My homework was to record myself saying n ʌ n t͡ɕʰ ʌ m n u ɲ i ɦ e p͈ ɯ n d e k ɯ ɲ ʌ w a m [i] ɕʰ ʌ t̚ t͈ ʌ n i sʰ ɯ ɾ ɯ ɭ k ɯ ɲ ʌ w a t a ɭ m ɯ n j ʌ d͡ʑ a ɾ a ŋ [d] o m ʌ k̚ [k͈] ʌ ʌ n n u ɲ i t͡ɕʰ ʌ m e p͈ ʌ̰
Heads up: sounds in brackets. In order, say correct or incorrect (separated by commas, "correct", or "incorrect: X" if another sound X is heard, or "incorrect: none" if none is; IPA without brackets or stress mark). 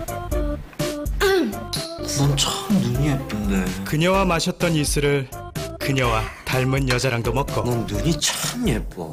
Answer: incorrect: a, correct, correct